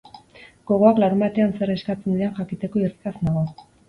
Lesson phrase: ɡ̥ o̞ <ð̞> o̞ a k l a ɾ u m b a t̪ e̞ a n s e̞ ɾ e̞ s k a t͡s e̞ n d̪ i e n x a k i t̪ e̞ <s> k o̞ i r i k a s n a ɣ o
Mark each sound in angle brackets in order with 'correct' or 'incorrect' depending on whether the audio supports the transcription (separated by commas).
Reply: incorrect, incorrect